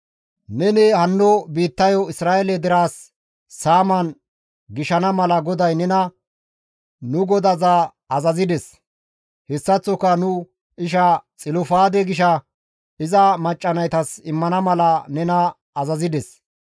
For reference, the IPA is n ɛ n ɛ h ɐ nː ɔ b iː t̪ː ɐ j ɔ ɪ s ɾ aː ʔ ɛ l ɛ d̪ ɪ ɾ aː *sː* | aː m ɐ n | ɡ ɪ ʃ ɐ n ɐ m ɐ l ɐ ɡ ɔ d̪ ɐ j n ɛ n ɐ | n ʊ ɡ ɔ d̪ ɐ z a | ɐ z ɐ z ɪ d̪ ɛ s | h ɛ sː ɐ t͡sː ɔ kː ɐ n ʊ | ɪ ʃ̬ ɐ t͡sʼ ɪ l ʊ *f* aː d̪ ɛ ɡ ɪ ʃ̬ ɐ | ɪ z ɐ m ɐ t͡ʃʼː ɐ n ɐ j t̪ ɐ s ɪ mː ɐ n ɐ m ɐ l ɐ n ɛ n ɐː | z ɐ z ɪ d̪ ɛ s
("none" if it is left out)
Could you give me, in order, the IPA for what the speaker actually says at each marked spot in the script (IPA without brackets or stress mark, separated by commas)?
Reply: sː, f